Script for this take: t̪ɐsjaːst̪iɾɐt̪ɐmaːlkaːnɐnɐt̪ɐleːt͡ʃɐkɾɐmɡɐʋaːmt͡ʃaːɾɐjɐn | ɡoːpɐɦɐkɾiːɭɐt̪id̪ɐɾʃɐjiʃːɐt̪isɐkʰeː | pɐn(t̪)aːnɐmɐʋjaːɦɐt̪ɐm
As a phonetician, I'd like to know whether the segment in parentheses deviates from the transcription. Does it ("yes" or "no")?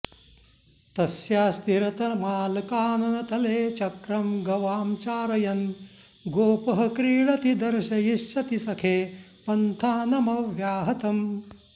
yes